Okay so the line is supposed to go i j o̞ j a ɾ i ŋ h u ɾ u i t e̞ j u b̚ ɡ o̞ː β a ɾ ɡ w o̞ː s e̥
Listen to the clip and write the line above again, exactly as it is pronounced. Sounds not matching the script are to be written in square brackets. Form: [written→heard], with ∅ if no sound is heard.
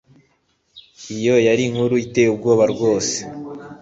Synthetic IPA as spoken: i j o̞ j a ɾ i ŋ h u ɾ u i t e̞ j u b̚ ɡ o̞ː β a ɾ ɡ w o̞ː s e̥